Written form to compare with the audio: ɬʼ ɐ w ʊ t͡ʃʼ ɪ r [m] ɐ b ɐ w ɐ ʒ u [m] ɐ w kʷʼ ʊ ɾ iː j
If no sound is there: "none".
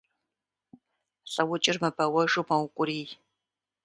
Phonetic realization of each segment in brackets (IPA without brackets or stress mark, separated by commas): m, m